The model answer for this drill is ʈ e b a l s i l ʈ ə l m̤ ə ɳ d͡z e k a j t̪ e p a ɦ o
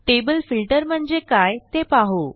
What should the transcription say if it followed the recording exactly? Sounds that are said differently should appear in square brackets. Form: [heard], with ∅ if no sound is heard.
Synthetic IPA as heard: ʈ e b [ə] l [f] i l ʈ ə [ɾ] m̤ ə ɳ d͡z e k a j t̪ e p a ɦ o